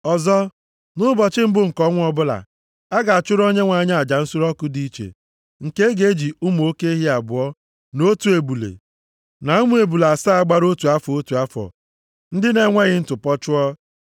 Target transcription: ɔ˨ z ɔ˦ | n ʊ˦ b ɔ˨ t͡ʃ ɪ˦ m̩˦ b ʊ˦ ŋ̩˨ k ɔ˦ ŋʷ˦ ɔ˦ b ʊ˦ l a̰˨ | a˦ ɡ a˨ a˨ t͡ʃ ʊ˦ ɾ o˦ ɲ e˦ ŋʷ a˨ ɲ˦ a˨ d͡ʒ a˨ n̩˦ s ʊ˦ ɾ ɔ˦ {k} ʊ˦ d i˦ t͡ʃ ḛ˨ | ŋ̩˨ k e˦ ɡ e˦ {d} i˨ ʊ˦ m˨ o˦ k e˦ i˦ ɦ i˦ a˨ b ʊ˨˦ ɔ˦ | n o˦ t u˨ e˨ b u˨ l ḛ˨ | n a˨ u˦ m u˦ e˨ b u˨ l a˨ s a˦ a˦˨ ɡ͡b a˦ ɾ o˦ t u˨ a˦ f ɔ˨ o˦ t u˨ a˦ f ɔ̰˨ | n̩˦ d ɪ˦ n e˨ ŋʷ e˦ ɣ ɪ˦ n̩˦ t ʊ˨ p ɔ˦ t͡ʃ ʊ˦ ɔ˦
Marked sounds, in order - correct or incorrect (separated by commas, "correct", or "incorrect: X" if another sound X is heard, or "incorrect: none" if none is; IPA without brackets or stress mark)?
correct, incorrect: d͡ʒ